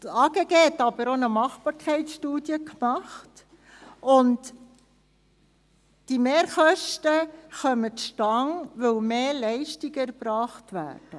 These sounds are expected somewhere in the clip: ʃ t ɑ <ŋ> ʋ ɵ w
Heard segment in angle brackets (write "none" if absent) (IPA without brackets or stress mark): ŋ